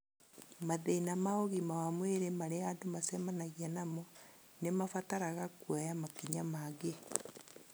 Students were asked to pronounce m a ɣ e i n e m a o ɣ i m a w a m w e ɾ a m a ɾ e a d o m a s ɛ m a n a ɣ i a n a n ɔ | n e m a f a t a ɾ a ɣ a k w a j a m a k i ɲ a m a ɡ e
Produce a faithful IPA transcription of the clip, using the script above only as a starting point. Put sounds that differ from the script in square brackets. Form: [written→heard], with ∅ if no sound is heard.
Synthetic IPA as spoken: m a [ɣ→ð] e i n [e→a] m a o ɣ i m a w a m w e ɾ [a→e] m a ɾ e a d o m a s ɛ m a n a ɣ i a n a [n→m] ɔ | n e m a f a t a ɾ a ɣ a k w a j a m a k i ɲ a m a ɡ e